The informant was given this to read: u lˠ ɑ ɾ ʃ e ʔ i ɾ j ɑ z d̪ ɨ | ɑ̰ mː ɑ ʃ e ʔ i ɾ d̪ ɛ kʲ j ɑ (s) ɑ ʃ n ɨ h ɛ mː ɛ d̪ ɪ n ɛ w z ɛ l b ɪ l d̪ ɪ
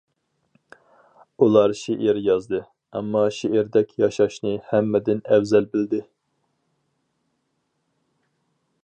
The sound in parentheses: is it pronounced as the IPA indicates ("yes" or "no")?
no